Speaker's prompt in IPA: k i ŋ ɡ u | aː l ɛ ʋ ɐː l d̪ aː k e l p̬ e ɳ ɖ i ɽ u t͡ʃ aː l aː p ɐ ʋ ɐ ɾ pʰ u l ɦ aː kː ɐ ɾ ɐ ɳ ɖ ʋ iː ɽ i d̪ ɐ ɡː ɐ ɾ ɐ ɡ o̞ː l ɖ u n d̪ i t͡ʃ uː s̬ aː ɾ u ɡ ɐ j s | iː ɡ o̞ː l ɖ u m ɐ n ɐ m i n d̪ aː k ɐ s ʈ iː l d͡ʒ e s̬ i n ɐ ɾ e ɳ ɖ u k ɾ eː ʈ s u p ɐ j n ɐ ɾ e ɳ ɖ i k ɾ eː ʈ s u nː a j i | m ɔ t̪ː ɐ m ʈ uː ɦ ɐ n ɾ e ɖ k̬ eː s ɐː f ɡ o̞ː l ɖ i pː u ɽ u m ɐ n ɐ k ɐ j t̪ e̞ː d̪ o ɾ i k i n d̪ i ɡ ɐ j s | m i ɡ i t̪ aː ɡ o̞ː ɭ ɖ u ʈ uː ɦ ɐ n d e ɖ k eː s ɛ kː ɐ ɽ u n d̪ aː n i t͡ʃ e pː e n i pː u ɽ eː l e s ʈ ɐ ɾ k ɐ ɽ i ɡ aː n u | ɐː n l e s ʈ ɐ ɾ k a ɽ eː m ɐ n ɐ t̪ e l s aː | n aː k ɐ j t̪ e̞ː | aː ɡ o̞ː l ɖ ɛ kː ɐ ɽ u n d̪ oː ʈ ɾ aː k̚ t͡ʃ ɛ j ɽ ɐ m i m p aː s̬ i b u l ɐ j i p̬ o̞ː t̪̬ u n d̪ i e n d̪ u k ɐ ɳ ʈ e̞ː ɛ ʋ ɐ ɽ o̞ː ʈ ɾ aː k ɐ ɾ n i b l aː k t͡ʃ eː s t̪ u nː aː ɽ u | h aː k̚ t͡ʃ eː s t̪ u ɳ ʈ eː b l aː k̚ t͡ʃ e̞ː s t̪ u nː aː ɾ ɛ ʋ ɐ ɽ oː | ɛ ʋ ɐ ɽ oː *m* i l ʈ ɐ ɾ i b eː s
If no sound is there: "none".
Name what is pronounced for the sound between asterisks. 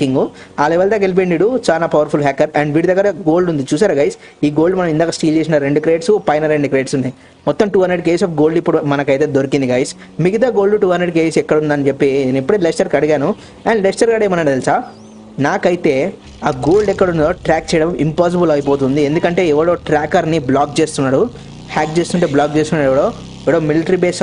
m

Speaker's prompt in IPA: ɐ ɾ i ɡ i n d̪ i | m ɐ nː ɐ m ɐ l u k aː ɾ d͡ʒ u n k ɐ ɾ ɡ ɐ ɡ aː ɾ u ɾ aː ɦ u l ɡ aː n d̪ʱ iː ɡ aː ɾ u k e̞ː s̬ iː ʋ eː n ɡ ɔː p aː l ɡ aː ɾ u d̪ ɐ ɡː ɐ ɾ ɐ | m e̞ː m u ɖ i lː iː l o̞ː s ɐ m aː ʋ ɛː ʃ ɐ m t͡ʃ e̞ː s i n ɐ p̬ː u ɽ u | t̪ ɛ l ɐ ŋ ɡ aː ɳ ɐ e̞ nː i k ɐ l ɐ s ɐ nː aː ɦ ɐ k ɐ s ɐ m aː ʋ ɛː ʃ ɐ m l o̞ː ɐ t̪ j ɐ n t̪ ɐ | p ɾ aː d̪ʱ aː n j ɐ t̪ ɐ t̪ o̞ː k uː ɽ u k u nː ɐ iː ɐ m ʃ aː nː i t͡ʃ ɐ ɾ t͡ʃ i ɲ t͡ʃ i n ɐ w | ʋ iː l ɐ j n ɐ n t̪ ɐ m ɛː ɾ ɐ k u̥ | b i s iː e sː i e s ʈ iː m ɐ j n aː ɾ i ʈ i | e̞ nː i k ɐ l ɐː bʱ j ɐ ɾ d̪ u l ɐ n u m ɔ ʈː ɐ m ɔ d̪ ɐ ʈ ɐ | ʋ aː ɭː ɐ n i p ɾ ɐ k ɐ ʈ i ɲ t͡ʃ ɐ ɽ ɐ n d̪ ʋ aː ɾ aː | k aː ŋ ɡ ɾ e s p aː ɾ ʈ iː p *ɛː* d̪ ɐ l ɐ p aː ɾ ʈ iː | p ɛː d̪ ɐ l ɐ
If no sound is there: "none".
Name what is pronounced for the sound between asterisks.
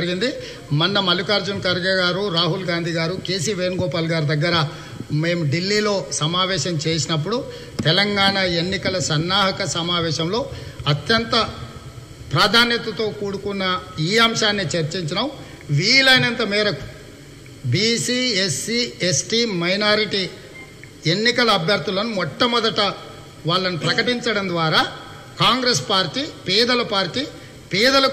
ɛː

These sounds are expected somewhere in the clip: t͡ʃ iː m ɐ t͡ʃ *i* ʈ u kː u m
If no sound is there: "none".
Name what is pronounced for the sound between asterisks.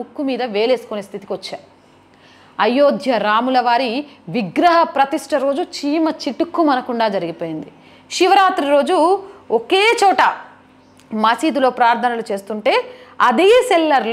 i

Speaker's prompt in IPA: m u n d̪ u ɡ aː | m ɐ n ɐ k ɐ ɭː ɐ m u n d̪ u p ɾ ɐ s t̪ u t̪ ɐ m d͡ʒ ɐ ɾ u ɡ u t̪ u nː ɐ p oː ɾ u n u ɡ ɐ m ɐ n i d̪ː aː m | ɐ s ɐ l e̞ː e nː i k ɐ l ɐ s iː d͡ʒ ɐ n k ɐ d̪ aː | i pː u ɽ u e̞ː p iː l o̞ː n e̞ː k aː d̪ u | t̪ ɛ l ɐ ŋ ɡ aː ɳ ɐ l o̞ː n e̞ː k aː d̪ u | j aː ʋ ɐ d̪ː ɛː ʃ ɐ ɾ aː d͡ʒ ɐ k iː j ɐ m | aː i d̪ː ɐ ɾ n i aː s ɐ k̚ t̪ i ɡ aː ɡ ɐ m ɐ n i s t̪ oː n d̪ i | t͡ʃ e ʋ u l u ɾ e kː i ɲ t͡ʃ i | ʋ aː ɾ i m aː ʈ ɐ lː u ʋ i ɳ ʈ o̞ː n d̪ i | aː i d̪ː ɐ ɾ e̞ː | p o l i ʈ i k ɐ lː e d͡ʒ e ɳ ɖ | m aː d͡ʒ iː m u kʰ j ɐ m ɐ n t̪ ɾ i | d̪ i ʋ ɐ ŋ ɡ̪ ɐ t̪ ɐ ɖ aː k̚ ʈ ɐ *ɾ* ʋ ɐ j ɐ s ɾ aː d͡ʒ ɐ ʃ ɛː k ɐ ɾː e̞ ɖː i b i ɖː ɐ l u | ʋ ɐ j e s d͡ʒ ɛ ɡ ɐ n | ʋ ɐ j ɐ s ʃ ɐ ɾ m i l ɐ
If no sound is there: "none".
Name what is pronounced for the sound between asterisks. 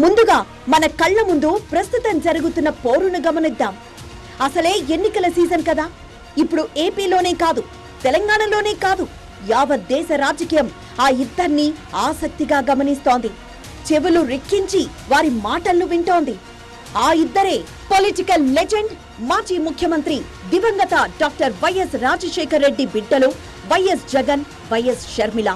ɾ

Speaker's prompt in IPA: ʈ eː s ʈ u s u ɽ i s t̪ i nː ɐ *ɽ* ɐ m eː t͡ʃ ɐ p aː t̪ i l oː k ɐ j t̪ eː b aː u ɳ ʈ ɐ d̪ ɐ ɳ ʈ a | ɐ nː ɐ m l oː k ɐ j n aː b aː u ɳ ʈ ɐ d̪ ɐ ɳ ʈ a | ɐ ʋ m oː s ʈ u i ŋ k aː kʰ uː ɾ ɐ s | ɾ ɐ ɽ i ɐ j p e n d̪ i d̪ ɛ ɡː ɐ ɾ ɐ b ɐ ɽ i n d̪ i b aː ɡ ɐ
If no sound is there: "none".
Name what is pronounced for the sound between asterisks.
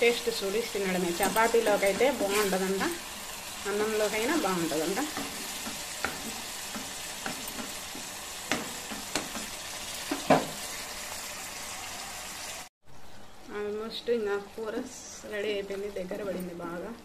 ɽ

